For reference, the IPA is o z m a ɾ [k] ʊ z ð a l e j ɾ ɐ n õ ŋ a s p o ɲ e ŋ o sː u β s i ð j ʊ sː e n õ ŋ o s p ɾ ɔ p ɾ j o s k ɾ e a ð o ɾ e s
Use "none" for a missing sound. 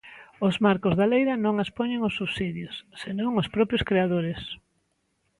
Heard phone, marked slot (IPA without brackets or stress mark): k